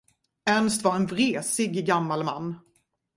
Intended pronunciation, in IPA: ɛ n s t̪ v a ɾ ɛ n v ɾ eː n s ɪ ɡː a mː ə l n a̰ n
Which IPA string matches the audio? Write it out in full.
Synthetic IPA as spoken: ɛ n s t̪ v a ɾ ɛ n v ɾ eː s ɪ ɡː a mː a l m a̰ nː